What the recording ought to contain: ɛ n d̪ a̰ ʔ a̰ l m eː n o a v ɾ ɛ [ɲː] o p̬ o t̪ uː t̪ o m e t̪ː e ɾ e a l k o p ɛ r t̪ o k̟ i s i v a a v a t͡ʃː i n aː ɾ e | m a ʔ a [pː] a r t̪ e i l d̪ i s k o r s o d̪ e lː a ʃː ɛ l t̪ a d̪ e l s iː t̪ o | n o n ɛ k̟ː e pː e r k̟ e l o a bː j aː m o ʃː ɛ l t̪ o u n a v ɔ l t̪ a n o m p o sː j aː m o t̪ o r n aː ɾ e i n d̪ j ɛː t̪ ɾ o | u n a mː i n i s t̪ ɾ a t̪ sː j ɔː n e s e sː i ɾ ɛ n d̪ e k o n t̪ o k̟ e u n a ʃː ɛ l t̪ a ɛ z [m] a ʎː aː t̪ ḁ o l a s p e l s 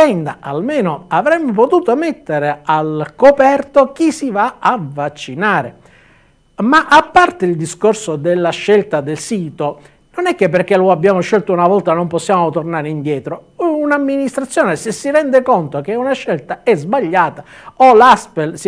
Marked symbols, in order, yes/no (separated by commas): no, yes, no